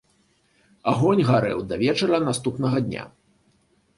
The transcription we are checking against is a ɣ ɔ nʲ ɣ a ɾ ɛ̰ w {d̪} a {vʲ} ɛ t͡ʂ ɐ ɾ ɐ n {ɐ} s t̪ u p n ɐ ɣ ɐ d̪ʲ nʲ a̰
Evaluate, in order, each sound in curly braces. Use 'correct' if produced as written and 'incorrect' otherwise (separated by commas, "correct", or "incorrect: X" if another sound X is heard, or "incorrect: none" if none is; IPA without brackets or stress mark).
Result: correct, correct, incorrect: a